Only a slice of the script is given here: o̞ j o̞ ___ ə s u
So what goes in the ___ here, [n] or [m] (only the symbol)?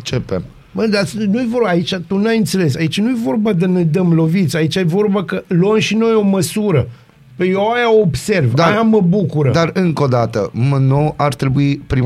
m